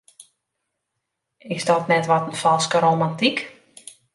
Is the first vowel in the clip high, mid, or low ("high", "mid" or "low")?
high